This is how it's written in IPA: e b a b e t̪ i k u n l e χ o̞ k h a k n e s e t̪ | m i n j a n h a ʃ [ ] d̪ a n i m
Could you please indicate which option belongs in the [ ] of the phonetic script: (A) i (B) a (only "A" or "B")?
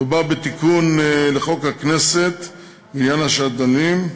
B